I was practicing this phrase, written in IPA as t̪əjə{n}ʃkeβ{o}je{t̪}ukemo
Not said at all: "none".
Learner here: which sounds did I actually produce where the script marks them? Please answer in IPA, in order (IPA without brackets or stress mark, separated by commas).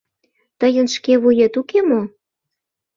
n, u, t̪